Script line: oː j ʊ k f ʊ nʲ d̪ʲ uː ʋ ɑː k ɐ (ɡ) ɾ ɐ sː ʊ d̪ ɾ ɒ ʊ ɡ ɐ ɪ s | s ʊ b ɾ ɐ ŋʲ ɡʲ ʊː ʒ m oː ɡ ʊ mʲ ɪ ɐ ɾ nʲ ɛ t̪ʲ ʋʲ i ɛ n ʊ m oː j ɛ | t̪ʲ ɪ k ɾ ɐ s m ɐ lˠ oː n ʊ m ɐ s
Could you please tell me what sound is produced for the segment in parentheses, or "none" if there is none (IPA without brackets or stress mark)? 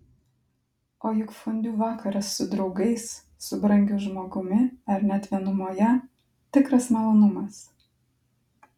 none